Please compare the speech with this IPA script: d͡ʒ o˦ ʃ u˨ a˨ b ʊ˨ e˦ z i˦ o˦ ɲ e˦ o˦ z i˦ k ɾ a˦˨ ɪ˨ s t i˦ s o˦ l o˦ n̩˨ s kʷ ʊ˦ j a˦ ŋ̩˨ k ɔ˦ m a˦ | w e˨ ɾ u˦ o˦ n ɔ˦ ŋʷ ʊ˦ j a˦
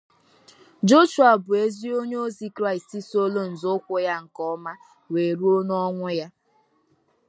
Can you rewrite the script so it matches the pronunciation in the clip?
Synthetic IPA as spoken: d͡ʒ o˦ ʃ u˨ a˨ b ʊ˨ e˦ z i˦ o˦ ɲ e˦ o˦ z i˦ k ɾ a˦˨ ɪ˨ s t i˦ s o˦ l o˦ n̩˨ z kʷ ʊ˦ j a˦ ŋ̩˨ k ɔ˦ m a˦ | w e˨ ɾ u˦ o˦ n ɔ˦ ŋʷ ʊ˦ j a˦